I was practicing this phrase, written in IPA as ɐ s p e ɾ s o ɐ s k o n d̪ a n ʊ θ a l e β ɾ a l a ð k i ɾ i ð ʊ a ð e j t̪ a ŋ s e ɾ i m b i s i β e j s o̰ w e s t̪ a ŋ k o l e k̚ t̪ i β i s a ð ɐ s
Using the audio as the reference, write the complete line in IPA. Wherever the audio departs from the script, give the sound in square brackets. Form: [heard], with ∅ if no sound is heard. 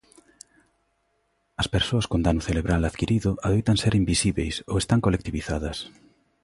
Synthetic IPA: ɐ s p e ɾ s o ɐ s k o n d̪ a n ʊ θ [e] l e β ɾ a l a ð k i ɾ i ð ʊ a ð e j t̪ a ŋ s e ɾ i m b i s i β e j s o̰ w e s t̪ a ŋ k o l e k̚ t̪ i β i [θ] a ð ɐ s